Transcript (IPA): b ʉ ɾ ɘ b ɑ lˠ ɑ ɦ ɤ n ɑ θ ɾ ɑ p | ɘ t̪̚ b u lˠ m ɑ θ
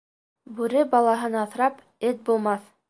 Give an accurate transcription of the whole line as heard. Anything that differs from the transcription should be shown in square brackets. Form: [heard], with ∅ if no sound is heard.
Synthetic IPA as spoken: b ʉ ɾ ɘ b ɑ lˠ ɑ ɦ ɤ n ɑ θ ɾ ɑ p | ɘ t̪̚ b u lˠ m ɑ θ